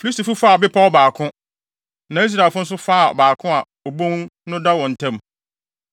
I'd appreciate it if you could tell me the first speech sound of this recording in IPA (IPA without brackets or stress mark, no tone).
f